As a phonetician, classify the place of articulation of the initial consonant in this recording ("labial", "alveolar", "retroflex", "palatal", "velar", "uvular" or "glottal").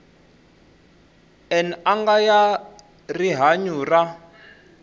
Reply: alveolar